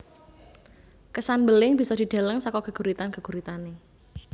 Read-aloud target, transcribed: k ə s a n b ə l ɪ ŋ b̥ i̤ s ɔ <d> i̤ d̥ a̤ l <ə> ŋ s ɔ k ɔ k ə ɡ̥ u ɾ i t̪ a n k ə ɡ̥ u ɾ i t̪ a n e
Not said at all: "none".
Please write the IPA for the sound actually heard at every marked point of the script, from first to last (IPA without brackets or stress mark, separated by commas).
d, ə